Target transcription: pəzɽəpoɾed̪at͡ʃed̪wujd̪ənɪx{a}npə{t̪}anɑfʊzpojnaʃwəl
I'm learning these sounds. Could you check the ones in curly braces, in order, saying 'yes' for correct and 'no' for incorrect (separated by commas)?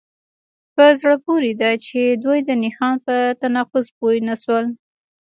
no, yes